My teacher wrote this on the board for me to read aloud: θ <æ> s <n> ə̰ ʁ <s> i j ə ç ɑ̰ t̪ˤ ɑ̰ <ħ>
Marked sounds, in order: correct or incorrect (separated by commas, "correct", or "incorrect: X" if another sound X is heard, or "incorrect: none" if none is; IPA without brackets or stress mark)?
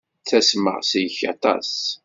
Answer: correct, incorrect: m, correct, incorrect: s